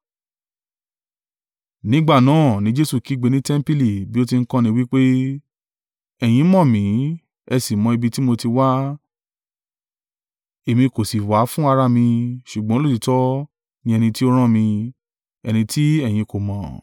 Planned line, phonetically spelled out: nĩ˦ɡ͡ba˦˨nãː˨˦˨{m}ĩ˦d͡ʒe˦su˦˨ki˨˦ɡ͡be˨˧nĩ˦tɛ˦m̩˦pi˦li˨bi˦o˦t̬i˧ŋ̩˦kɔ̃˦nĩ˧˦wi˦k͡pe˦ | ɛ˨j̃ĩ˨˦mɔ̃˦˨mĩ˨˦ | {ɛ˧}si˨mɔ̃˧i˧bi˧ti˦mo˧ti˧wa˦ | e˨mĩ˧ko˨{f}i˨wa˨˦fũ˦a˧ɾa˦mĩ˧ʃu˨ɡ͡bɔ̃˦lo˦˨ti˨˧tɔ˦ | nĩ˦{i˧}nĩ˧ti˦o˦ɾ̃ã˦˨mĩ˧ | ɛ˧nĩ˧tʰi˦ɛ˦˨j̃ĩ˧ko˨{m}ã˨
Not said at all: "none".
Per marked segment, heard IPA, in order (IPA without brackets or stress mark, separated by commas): n, ɛ˧, s, ɛ˧, m